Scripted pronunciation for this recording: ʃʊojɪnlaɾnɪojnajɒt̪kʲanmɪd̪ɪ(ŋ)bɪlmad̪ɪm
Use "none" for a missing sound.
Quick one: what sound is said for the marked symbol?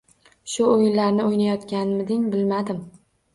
ŋ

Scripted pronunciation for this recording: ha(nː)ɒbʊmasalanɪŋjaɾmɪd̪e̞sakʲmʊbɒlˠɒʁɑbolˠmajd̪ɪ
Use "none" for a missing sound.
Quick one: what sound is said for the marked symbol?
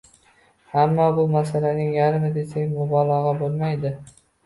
mː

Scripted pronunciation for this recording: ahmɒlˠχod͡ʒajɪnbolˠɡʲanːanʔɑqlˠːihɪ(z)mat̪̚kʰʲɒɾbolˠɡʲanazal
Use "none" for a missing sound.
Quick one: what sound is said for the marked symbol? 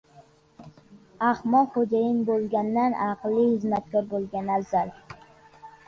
z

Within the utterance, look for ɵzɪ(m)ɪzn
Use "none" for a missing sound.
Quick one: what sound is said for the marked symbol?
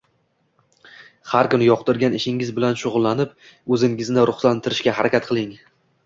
ŋ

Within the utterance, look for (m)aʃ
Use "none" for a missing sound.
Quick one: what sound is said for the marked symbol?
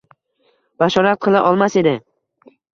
b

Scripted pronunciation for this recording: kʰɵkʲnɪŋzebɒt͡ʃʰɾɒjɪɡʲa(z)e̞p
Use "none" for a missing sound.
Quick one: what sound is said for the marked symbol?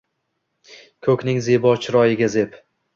z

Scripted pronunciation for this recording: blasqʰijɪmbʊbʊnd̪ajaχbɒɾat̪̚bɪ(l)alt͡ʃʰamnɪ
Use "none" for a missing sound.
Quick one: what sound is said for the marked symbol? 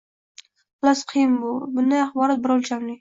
ɾ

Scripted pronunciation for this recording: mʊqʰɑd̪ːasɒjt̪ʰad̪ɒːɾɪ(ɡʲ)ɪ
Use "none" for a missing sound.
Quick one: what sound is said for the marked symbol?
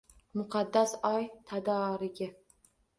ɡʲ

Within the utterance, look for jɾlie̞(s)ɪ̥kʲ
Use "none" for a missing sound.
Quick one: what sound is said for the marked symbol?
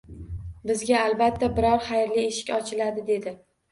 ʃ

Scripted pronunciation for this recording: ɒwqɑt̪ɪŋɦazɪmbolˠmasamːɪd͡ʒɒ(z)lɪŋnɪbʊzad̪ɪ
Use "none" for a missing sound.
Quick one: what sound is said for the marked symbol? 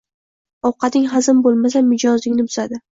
z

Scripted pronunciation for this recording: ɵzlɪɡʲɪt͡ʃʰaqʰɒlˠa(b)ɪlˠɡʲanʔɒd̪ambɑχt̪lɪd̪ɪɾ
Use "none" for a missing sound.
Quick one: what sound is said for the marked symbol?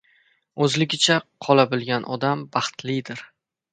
b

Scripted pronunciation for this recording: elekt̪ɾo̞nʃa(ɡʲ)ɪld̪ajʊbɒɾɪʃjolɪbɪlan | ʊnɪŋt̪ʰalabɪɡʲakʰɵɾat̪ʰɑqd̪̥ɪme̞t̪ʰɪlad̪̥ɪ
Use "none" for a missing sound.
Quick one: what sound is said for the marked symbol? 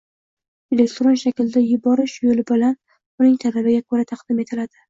kʲ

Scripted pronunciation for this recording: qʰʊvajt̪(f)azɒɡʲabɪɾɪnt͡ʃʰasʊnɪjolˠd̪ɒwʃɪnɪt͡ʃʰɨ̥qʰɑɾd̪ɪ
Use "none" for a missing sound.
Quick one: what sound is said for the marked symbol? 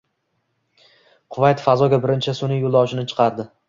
f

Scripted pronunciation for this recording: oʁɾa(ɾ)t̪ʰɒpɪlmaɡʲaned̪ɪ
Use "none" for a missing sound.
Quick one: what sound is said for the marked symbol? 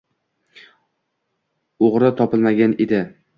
none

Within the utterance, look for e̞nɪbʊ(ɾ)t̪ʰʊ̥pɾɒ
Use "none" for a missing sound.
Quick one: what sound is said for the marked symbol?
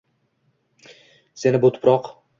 none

